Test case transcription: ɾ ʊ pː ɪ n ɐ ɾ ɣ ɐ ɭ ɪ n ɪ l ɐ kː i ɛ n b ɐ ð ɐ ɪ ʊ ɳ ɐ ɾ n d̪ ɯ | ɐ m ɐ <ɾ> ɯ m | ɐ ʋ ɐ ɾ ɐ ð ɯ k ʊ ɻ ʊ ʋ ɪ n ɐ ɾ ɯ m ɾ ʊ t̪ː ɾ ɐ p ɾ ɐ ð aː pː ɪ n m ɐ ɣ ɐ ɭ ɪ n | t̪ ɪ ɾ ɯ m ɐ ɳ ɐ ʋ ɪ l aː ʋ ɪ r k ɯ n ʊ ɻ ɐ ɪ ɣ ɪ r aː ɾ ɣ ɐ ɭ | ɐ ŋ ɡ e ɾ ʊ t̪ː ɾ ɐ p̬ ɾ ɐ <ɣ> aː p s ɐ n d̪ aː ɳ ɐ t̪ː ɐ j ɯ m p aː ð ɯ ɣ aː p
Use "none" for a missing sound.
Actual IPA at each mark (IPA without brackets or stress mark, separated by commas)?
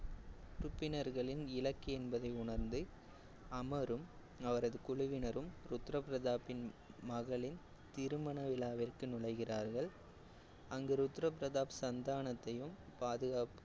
ɾ, ð